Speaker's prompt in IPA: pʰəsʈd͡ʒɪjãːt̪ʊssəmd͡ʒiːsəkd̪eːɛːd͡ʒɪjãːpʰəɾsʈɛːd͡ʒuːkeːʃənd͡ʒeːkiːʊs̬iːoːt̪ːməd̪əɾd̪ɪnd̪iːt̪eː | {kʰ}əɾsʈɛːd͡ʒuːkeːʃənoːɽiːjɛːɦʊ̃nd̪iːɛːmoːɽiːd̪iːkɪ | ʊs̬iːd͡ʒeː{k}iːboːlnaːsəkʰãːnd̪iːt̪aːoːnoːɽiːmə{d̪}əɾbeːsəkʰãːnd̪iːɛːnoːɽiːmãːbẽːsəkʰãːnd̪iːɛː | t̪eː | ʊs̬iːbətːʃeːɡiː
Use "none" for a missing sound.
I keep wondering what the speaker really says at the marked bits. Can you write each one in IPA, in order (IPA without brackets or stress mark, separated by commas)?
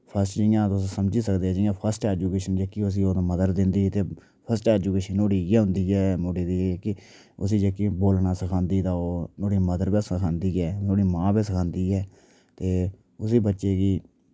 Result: pʰ, k, d̪